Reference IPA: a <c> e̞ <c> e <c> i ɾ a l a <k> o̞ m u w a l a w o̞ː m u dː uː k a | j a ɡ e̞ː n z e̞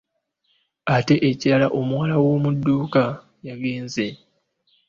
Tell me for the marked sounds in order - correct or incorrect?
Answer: incorrect, incorrect, correct, incorrect

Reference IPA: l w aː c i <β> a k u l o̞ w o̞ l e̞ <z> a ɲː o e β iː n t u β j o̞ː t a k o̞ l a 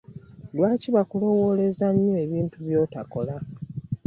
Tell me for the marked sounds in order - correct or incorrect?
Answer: correct, correct

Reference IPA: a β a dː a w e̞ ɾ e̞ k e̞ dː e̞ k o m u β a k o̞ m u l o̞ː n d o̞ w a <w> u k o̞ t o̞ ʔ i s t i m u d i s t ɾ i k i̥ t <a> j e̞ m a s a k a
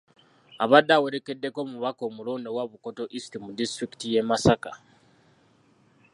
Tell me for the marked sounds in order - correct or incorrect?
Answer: incorrect, incorrect

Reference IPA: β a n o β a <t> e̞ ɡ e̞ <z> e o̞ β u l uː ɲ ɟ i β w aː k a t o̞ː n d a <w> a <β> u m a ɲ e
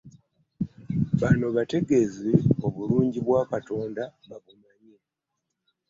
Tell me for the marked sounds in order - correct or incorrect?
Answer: correct, correct, incorrect, correct

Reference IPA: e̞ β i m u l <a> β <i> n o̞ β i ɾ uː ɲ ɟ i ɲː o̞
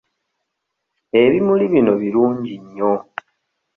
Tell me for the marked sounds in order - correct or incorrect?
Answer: incorrect, correct

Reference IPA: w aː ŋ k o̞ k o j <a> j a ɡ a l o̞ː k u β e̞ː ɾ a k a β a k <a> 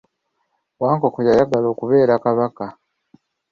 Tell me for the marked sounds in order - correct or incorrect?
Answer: correct, correct

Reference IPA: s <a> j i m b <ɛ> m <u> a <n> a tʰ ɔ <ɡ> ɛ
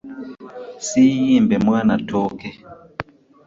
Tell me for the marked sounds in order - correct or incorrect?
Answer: incorrect, correct, incorrect, correct, incorrect

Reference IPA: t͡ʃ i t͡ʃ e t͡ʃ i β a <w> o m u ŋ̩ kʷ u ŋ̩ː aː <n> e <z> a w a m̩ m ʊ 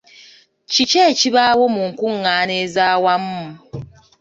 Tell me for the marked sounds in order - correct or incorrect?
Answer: correct, correct, correct

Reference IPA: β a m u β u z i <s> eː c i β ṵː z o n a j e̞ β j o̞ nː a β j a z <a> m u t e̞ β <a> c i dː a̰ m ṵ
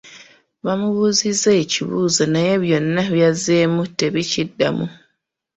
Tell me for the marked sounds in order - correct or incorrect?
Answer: incorrect, incorrect, incorrect

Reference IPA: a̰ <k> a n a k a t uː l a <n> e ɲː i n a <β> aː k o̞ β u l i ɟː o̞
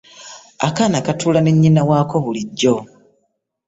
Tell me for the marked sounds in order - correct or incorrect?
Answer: correct, correct, incorrect

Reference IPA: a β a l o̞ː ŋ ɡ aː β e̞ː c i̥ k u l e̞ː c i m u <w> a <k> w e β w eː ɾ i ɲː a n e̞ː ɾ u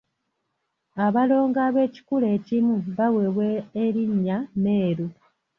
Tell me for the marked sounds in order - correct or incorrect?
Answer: incorrect, incorrect

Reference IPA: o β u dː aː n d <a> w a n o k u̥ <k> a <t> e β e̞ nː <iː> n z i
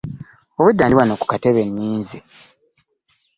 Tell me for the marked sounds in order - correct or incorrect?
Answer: incorrect, correct, correct, correct

